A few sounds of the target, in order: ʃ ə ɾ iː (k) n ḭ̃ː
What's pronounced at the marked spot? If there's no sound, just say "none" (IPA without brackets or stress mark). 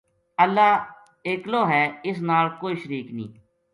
k